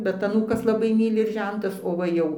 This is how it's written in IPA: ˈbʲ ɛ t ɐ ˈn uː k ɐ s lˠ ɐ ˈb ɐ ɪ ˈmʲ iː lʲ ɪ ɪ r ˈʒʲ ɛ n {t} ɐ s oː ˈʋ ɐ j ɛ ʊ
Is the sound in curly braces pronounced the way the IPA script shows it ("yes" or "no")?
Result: yes